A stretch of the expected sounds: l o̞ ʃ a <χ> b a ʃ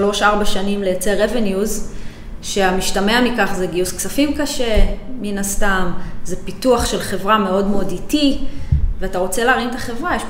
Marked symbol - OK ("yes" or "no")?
no